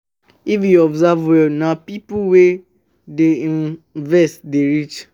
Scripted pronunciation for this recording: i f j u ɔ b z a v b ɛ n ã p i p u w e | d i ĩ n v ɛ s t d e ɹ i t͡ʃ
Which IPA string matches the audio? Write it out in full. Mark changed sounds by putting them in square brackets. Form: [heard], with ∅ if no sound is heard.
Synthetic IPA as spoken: i f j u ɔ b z a v [w] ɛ n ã p i p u w e | d [e] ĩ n v ɛ s t d e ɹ i t͡ʃ